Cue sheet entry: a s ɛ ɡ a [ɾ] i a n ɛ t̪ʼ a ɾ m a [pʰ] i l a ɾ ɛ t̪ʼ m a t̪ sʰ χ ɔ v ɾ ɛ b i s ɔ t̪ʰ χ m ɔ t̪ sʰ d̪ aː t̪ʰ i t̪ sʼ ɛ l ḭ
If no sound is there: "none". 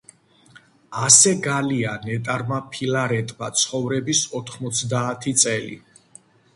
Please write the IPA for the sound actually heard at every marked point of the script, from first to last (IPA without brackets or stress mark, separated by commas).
l, pʰ